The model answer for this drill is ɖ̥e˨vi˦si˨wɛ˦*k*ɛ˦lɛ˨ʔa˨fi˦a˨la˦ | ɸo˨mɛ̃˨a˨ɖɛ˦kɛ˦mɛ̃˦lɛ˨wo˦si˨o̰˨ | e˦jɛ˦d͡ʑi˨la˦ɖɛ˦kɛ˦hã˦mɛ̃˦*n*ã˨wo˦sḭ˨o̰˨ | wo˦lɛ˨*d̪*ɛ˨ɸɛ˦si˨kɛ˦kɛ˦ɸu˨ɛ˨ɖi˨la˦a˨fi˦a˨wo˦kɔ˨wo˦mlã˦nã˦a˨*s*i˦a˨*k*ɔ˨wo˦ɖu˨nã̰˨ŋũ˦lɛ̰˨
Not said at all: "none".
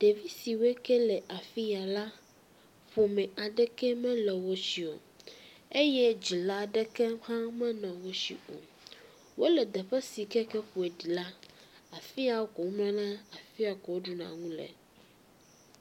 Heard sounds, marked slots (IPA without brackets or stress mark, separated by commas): k, n, d̪, f, k